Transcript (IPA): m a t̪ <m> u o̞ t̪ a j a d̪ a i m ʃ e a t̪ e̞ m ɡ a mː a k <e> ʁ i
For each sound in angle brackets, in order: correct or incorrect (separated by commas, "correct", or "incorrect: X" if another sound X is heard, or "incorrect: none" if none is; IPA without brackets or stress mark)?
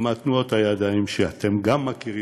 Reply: incorrect: n, incorrect: i